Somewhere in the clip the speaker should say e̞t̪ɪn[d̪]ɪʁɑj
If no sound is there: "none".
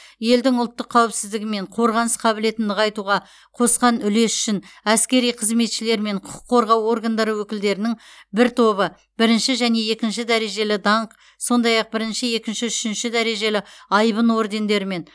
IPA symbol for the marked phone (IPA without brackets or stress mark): d̪